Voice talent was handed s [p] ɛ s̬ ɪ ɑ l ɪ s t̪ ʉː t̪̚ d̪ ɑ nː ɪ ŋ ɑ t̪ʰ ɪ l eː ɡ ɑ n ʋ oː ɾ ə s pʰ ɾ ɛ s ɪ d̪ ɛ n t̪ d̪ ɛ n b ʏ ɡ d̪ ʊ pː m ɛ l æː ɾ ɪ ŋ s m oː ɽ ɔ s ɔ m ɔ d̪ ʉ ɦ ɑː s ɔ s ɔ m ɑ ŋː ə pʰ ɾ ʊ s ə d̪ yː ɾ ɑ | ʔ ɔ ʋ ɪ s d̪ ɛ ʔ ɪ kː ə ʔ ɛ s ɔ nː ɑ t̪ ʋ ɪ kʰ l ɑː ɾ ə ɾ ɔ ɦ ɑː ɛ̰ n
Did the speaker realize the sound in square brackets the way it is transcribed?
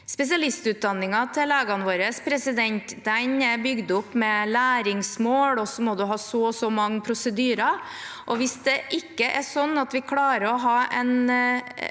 yes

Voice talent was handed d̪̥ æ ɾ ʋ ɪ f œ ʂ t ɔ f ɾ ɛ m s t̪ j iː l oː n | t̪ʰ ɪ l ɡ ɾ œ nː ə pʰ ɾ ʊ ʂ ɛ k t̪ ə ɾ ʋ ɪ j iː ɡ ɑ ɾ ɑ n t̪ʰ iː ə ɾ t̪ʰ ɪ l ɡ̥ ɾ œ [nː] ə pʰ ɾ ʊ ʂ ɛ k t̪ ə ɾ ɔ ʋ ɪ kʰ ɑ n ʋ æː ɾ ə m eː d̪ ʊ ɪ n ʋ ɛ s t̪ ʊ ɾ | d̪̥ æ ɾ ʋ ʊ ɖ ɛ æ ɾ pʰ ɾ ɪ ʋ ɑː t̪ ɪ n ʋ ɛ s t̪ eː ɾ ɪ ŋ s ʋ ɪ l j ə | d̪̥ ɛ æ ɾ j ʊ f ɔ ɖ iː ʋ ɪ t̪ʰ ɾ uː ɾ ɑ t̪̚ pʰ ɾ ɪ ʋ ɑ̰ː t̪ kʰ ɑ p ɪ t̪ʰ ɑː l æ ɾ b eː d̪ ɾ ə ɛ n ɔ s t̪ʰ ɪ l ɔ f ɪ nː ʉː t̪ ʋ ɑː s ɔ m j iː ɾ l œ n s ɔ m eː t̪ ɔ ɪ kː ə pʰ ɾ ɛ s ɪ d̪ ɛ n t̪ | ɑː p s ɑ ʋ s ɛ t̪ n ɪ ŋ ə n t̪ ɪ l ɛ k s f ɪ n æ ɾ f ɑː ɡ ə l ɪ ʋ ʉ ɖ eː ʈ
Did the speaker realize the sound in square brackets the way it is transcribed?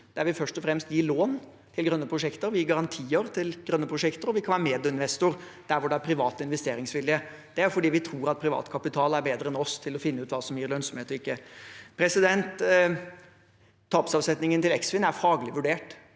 yes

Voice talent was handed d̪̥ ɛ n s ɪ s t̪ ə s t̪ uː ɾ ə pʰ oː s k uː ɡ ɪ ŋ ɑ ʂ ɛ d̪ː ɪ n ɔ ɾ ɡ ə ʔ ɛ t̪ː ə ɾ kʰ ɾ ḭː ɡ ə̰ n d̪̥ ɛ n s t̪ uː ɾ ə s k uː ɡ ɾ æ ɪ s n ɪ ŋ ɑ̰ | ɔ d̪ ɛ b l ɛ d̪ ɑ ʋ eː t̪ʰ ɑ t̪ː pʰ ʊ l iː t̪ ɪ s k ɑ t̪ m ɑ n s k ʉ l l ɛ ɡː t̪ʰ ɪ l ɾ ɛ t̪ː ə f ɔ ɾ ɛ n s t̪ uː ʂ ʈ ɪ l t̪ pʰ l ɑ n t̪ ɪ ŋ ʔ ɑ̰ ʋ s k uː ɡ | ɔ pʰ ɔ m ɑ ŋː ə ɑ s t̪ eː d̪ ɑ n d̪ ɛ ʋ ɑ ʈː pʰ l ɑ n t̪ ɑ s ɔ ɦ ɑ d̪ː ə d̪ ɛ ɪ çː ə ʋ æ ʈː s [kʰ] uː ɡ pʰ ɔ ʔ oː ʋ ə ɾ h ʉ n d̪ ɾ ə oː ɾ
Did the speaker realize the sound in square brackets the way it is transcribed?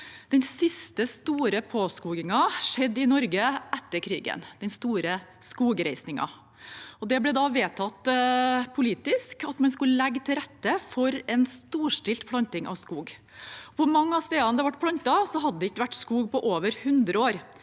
no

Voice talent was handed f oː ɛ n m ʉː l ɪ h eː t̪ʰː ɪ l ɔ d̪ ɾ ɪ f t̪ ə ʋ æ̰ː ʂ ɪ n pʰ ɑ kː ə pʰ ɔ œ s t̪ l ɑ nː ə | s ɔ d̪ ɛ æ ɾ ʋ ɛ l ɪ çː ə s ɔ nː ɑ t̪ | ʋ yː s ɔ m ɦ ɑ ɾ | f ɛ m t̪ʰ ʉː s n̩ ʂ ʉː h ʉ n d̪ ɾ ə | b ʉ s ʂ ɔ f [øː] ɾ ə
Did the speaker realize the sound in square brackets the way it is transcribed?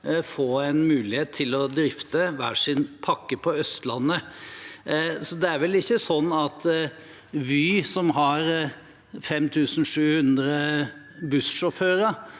yes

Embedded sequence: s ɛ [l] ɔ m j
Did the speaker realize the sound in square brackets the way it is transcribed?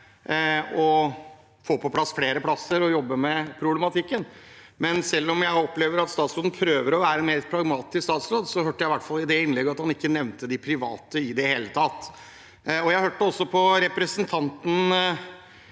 no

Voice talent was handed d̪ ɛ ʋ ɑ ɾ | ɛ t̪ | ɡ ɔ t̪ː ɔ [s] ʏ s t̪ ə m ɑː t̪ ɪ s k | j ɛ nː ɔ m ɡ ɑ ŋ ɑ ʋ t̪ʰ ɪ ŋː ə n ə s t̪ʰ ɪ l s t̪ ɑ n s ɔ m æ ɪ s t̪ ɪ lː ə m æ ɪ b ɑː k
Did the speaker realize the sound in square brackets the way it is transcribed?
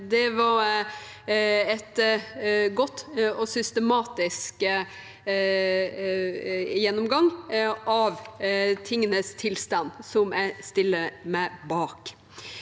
yes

